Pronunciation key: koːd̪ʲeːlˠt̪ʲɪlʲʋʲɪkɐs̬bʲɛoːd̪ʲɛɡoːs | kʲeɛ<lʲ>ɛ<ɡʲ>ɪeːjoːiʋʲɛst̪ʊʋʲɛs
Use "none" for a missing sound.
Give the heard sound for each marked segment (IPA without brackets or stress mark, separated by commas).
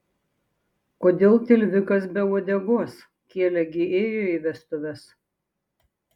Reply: lʲ, ɡʲ